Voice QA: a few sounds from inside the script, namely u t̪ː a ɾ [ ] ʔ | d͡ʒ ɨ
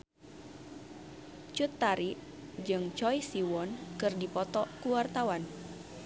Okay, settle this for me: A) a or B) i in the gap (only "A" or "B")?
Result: B